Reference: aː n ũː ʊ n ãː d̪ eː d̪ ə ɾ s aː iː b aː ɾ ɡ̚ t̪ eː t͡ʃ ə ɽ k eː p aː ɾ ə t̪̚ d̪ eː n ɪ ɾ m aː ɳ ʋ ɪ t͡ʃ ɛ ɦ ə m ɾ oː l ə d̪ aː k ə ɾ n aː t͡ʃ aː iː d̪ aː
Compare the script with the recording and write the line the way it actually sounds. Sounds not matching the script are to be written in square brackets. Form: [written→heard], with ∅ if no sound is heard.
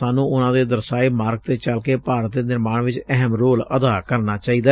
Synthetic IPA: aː n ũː ʊ n ãː d̪ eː d̪ ə ɾ s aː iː [b→m] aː ɾ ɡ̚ t̪ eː t͡ʃ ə [ɽ→l] k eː p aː ɾ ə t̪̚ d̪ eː n ɪ ɾ m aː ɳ ʋ ɪ t͡ʃ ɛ ɦ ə m ɾ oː l ə d̪ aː k ə ɾ n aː t͡ʃ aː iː d̪ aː